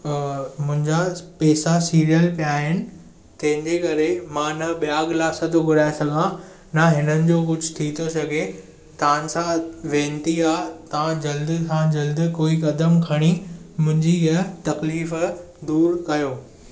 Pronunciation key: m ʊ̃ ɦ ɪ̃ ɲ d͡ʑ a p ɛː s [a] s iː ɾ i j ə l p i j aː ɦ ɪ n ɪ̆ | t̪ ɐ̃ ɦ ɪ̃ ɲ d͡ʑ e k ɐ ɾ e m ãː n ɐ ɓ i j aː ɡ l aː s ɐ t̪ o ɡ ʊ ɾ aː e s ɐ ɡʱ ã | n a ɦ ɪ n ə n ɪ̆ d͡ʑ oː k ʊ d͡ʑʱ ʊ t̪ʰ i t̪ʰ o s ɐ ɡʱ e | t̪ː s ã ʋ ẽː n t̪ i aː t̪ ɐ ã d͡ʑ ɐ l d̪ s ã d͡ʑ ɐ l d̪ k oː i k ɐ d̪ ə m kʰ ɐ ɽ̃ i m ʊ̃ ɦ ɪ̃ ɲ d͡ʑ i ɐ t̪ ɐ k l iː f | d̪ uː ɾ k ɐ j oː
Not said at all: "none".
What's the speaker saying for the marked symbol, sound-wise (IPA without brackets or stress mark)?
a